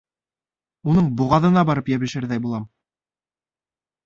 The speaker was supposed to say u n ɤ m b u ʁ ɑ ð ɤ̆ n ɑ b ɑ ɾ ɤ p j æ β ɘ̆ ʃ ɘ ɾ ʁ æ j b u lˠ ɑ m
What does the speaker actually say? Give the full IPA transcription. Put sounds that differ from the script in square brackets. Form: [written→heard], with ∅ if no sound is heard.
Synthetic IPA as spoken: u n ɤ [m→ɴ] b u ʁ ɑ ð ɤ̆ n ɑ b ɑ ɾ ɤ p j æ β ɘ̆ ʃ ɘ ɾ [ʁ→ð] æ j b u lˠ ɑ m